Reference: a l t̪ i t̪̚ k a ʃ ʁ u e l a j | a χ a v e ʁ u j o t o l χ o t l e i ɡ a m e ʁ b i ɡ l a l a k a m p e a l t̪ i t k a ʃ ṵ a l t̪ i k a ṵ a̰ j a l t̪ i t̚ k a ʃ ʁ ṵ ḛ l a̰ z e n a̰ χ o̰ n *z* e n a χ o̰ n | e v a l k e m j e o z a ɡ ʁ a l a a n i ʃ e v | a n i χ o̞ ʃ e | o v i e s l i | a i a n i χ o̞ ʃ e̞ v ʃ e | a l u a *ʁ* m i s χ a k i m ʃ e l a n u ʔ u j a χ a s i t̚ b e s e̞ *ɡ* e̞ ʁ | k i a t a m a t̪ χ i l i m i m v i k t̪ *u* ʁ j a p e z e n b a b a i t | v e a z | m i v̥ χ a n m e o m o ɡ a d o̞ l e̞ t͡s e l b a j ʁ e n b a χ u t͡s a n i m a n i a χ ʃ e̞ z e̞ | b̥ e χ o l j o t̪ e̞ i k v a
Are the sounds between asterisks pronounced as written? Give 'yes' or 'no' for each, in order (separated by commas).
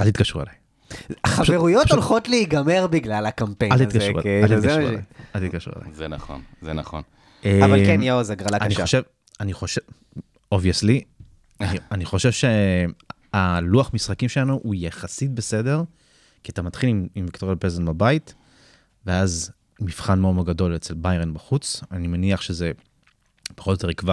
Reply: yes, no, no, no